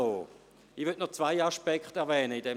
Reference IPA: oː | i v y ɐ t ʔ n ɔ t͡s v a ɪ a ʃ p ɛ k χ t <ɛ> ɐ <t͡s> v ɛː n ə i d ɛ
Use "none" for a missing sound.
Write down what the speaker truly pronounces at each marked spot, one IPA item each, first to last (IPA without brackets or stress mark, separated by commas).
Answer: ɛ, none